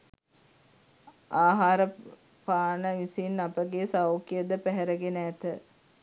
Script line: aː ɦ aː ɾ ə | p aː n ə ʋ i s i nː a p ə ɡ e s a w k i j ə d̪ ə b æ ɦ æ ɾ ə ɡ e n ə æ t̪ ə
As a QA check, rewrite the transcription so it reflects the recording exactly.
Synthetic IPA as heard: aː ɦ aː ɾ ə | p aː n ə ʋ i s i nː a p ə ɡ e s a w k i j ə d̪ ə p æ ɦ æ ɾ ə ɡ e n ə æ t̪ ə